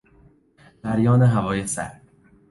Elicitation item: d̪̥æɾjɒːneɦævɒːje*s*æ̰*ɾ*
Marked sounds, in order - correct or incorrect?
correct, correct

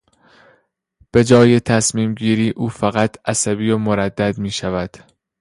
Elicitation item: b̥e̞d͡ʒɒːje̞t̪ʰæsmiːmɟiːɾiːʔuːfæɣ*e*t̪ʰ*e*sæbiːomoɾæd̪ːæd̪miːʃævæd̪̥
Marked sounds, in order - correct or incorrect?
incorrect: æ, incorrect: æ

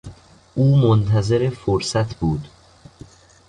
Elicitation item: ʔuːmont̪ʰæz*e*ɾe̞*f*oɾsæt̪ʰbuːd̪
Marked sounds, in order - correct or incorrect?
correct, correct

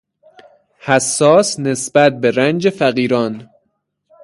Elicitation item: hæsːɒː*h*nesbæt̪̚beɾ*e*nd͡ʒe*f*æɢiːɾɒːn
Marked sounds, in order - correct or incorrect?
incorrect: s, incorrect: æ, correct

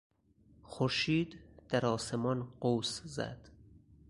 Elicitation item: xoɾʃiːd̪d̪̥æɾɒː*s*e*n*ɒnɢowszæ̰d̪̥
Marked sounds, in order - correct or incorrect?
correct, incorrect: m

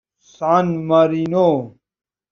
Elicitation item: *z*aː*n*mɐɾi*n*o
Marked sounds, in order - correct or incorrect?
incorrect: s, correct, correct

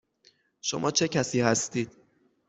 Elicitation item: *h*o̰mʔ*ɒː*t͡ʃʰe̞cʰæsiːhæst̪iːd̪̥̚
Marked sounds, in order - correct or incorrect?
incorrect: ʃ, correct

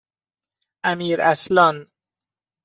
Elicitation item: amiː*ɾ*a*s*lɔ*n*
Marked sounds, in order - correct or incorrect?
correct, correct, correct

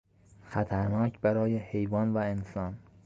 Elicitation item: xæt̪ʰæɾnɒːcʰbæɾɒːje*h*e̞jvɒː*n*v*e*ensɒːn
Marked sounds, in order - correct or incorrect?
correct, correct, incorrect: æ

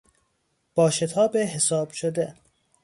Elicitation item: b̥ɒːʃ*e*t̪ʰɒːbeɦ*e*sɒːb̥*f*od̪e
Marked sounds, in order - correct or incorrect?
correct, correct, incorrect: ʃ

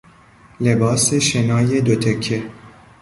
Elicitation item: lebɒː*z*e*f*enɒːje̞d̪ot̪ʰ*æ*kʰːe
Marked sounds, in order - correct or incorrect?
incorrect: s, incorrect: ʃ, incorrect: e

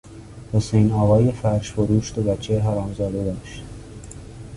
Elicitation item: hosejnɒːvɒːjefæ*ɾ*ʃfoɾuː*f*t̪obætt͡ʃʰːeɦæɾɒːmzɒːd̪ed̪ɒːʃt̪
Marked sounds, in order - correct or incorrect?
correct, incorrect: ʃ

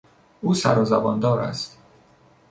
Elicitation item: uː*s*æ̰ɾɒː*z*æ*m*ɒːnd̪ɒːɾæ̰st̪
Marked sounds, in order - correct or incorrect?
correct, correct, incorrect: b

